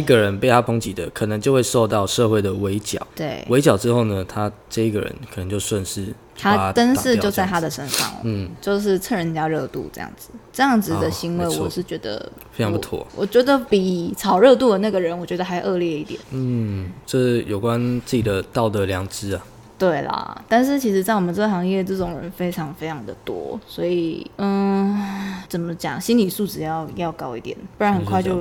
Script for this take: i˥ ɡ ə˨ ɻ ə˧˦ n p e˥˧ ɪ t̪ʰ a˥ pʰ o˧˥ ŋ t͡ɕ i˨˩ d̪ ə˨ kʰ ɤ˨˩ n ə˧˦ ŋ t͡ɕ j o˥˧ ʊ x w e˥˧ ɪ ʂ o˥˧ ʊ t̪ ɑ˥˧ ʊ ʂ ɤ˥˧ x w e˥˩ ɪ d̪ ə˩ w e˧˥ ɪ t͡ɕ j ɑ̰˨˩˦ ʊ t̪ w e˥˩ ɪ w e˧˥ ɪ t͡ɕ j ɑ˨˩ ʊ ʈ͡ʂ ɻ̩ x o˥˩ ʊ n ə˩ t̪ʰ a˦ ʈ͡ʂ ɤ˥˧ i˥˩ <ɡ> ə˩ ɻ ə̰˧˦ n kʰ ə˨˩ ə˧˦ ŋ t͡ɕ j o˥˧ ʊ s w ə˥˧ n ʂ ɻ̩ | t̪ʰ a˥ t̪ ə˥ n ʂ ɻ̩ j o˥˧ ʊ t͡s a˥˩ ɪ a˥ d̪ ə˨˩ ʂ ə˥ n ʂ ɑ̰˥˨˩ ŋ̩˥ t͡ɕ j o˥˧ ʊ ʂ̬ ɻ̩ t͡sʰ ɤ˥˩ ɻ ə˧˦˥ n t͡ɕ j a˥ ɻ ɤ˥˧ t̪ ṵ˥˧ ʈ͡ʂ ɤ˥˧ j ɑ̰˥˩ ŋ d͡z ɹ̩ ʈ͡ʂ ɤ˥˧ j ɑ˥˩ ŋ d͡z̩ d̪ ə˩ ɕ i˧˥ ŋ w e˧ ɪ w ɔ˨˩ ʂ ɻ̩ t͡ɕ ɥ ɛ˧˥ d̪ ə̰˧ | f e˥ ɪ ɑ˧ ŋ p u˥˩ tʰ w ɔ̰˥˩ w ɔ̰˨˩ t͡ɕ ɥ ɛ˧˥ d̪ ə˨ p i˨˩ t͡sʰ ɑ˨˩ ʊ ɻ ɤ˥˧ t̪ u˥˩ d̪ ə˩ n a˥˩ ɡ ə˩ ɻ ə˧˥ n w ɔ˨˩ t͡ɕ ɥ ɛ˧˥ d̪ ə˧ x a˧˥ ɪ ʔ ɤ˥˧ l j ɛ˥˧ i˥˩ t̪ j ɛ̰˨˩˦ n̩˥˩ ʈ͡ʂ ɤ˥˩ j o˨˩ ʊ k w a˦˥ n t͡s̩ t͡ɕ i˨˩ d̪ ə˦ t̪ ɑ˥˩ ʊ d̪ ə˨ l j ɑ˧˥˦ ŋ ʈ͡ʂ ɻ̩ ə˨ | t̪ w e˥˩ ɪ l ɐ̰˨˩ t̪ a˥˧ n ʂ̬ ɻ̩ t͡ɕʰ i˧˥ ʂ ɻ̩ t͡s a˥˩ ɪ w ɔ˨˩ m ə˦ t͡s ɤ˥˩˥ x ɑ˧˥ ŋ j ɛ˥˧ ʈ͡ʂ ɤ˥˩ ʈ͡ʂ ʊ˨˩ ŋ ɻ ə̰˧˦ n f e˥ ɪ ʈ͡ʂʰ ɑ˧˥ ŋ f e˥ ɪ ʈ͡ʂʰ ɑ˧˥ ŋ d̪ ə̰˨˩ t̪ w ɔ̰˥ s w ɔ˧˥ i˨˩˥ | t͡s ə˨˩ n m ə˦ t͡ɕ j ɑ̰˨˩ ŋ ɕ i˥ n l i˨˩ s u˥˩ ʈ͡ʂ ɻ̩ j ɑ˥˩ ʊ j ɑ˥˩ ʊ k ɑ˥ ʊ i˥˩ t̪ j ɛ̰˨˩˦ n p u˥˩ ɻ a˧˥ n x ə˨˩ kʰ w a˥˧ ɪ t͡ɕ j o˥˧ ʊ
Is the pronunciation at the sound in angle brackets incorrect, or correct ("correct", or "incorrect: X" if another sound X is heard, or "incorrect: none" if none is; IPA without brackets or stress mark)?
correct